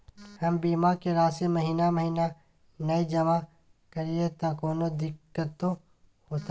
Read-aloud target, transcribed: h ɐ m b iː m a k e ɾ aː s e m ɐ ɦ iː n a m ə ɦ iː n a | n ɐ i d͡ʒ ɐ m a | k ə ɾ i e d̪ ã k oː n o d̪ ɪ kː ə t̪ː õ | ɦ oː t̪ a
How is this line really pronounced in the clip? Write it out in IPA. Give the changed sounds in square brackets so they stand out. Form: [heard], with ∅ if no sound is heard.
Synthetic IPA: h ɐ m b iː m a k e ɾ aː s e m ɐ ɦ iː n a m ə ɦ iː n a | n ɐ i d͡ʒ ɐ m a | k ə ɾ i e [t̪] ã k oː n o d̪ ɪ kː ə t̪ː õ | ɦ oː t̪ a